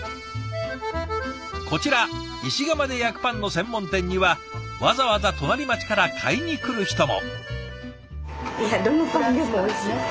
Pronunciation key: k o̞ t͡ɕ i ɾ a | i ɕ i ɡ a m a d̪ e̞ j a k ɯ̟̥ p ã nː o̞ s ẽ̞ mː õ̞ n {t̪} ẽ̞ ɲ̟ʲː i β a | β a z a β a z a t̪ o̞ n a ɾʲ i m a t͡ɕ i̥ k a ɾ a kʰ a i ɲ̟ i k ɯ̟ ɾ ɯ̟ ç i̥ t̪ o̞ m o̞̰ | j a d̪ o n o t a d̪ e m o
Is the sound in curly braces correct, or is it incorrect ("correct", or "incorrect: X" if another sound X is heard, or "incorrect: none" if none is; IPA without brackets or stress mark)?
correct